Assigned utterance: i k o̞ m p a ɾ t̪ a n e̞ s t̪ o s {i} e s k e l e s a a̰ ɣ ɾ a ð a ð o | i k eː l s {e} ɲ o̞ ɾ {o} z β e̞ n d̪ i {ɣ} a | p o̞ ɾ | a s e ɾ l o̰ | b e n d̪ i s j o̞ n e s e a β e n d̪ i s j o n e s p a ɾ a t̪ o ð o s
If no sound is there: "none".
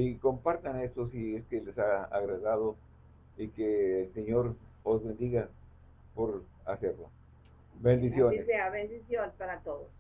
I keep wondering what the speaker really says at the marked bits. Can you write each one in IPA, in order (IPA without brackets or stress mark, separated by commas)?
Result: i, e, o, ɣ